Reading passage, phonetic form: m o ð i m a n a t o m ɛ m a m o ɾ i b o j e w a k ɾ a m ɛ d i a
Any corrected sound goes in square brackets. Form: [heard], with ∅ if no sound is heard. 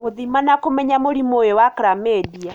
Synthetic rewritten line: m o ð i m a n a [k] o m ɛ [ɲ] a m o ɾ i [m] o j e w a k ɾ a m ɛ d i a